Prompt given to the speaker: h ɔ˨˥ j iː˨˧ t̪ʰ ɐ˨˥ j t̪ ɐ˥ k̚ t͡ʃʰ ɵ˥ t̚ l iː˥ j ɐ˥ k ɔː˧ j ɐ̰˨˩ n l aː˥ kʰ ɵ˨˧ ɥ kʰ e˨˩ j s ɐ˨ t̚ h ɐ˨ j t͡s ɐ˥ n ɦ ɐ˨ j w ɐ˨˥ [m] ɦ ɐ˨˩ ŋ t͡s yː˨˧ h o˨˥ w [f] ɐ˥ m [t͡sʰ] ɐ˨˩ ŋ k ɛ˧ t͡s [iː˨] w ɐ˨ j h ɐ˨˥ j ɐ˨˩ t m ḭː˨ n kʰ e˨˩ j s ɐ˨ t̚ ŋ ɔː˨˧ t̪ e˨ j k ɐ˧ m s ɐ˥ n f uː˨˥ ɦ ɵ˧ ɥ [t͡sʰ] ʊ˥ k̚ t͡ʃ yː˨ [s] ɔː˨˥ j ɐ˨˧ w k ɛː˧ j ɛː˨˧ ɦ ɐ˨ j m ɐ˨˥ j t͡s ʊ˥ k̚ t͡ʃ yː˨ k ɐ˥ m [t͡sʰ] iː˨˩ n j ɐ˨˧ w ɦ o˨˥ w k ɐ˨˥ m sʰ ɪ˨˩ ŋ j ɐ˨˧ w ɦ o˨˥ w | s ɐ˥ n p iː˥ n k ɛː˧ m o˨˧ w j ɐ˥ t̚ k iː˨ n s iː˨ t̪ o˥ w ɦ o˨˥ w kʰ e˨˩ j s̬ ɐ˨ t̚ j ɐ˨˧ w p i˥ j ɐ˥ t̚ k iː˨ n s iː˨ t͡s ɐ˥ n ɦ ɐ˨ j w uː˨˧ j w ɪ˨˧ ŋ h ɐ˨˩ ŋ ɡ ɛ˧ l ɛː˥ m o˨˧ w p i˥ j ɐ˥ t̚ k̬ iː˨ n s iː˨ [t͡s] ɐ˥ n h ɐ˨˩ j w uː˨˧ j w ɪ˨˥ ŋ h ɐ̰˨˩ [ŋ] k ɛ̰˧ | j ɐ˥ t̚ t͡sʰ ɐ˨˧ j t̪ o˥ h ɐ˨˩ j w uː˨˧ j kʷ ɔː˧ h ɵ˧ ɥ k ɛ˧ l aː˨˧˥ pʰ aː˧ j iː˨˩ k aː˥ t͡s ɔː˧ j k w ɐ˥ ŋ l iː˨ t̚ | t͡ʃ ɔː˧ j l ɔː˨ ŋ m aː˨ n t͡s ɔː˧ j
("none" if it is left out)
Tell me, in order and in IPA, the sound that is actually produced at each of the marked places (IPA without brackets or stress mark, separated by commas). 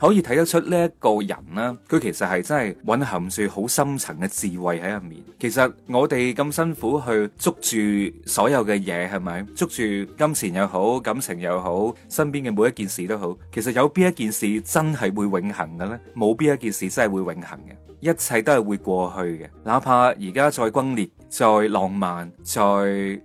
n, s, t͡sʰ, iː˨, t͡s, s, t͡sʰ, t͡s, ŋ